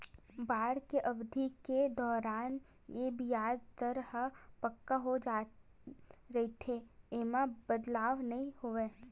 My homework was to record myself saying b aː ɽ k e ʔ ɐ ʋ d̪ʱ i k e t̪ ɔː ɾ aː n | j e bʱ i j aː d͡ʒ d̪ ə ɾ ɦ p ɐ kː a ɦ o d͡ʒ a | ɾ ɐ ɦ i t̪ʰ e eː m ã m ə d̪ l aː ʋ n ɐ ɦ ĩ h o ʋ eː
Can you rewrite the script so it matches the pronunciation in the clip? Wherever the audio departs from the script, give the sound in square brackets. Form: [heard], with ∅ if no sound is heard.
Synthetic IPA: b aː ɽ k e ʔ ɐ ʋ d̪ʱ i k e [d̪] ɔː ɾ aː n | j e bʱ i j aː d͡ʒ [t̪] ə ɾ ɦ p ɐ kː a ɦ o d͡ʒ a | ɾ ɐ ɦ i t̪ʰ e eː m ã [b] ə d̪ l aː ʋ n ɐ ɦ ĩ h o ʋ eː